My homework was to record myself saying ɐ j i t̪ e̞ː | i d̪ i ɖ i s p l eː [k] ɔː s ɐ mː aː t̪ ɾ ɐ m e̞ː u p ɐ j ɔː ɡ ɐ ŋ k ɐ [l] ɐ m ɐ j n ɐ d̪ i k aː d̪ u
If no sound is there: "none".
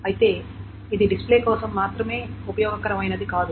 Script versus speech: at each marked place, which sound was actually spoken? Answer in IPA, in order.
k, ɾ

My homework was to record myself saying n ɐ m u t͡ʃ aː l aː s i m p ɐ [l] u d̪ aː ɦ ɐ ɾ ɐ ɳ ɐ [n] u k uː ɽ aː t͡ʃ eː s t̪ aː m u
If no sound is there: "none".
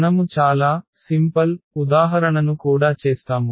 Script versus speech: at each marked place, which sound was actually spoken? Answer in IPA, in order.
l, n

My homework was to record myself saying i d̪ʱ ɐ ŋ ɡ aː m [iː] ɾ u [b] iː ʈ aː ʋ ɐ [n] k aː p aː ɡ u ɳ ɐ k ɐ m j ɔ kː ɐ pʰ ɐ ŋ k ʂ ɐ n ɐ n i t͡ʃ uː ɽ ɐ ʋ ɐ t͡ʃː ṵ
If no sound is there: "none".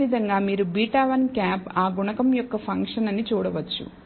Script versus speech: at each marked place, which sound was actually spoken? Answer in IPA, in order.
iː, b, n

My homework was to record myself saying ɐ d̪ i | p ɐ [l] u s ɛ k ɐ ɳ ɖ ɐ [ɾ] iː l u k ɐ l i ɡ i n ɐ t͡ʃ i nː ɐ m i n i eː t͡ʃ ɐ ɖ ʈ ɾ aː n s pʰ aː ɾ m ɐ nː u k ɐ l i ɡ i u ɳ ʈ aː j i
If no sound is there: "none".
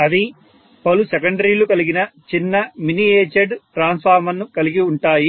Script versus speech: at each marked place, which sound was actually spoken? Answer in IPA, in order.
l, ɾ

